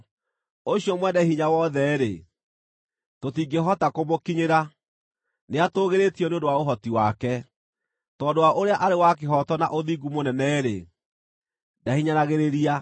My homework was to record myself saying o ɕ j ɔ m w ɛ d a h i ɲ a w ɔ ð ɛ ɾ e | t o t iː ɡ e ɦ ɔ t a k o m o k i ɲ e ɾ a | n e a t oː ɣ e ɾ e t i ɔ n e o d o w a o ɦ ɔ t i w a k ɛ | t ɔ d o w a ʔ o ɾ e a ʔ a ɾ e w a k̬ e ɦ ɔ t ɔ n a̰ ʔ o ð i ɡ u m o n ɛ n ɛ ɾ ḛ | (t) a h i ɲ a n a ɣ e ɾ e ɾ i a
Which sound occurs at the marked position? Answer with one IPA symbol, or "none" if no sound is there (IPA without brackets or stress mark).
d